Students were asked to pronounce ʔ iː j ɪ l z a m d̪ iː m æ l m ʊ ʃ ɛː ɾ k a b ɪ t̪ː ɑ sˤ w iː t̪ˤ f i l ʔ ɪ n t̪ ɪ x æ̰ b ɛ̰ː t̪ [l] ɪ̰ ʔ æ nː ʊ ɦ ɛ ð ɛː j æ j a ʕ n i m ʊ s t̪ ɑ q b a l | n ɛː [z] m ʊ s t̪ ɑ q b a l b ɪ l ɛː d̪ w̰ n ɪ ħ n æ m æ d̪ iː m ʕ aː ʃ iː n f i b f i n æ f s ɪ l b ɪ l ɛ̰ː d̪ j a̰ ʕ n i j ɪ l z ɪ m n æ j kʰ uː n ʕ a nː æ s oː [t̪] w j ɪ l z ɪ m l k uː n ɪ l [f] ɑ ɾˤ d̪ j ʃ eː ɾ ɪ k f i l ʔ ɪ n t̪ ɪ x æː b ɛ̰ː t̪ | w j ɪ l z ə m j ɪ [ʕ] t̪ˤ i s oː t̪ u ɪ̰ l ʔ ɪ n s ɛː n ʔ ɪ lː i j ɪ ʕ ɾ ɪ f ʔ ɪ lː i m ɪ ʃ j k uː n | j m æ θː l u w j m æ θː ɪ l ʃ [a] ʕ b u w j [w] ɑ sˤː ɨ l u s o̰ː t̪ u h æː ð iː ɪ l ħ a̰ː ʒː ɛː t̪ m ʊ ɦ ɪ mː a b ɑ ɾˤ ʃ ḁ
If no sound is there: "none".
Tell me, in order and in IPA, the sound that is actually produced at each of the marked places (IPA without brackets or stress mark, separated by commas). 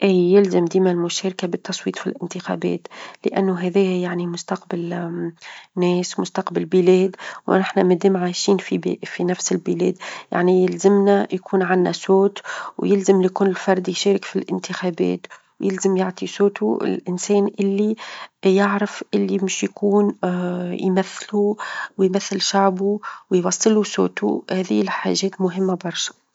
l, s, t̪, f, ʕ, a, w